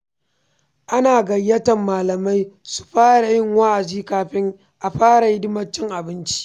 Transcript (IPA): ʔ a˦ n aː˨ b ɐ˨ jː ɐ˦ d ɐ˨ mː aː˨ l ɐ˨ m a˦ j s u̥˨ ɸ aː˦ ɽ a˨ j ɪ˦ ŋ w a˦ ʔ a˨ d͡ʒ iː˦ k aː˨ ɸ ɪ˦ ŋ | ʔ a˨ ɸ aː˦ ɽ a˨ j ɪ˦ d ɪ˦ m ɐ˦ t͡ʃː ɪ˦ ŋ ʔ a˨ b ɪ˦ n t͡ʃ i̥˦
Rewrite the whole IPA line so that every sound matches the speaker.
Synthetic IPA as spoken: ʔ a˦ n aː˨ ɡ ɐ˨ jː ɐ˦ t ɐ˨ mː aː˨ l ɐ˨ m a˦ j s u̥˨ ɸ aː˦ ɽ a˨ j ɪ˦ ŋ w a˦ ʔ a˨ d͡ʒ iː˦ k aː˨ ɸ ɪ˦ ŋ | ʔ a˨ ɸ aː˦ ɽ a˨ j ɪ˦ d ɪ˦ m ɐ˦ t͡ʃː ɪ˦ ŋ ʔ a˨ b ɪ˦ n t͡ʃ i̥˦